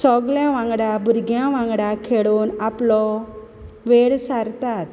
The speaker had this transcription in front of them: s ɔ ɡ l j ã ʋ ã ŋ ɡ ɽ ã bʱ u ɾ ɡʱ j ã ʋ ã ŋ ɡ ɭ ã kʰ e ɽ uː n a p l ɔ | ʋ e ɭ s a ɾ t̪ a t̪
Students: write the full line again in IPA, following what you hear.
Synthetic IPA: s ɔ ɡ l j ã ʋ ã ŋ ɡ ɽ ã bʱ u ɾ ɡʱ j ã ʋ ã ŋ ɡ ɽ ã kʰ e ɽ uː n a p l ɔ | ʋ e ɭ s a ɾ t̪ a t̪